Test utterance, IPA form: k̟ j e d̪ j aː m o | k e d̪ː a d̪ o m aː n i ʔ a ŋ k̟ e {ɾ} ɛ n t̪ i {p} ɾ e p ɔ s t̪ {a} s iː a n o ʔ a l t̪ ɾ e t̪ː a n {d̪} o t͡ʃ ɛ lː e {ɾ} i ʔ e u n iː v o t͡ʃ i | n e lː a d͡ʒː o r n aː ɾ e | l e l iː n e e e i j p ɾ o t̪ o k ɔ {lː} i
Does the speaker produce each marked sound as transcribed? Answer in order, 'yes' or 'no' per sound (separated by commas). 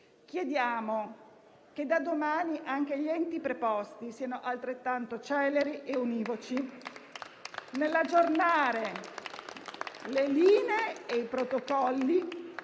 no, yes, no, no, yes, yes